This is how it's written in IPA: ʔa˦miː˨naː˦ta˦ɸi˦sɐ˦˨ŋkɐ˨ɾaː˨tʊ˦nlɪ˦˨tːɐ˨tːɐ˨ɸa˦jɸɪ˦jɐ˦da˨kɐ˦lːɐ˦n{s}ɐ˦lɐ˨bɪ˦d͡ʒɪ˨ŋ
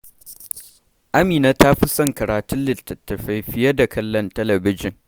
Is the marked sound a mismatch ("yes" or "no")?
yes